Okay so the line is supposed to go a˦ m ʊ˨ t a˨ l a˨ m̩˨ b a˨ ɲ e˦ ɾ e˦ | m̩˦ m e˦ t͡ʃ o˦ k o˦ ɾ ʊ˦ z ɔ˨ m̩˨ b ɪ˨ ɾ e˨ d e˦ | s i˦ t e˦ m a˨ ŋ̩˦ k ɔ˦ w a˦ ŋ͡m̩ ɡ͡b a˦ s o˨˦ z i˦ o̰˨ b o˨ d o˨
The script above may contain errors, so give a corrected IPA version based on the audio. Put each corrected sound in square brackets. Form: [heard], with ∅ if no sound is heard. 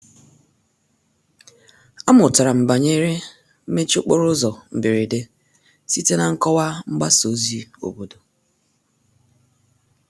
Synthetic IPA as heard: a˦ m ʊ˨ t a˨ [ɾ] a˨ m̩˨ b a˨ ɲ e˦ ɾ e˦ | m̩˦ m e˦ t͡ʃ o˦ [k͡p] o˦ ɾ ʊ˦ z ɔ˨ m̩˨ b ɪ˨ ɾ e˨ d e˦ | s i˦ t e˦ [n] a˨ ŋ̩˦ k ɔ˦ w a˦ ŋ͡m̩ ɡ͡b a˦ s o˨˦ z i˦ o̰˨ b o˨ d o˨